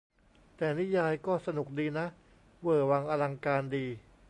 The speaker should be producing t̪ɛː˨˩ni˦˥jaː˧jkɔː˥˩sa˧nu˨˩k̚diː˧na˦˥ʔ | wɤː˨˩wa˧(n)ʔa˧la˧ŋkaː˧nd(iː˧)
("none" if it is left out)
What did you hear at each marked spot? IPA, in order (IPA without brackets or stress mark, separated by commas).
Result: ŋ, iː˧